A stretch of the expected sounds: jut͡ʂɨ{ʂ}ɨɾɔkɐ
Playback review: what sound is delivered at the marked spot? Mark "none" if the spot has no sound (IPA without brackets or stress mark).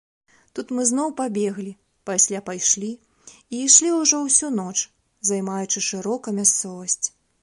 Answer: ʂ